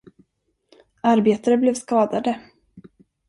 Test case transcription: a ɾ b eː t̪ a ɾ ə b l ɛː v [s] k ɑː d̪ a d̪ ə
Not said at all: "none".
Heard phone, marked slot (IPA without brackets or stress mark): s